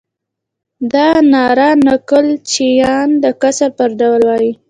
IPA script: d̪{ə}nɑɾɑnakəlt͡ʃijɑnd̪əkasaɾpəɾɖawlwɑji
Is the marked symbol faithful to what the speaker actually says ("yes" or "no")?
no